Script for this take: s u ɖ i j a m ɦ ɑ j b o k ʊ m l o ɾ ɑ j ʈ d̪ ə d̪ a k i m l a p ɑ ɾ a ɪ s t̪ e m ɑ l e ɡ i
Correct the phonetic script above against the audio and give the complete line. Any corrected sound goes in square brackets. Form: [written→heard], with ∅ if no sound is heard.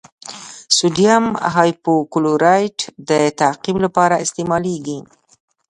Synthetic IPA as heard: s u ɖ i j a m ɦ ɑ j [b→p] o k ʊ [m→∅] l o ɾ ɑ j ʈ d̪ ə [d̪→t̪] a [k→q] i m l a p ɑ ɾ a ɪ s t̪ e m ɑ l e ɡ i